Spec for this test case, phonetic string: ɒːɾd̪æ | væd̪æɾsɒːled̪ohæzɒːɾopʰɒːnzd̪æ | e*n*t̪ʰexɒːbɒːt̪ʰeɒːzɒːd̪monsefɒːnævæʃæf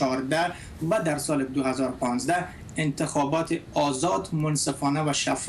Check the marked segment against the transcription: correct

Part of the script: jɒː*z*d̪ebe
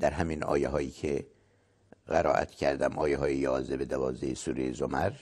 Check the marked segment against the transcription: correct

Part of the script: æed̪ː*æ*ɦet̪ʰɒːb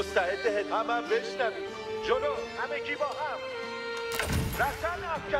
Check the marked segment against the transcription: incorrect: e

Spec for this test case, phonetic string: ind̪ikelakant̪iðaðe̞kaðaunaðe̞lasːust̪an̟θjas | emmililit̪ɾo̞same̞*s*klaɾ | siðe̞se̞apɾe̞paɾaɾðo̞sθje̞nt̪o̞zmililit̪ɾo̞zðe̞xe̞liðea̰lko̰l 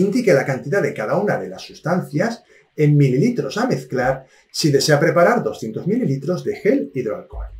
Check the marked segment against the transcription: incorrect: θ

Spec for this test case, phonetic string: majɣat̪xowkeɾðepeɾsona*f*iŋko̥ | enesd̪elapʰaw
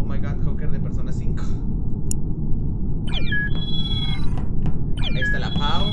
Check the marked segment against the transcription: incorrect: s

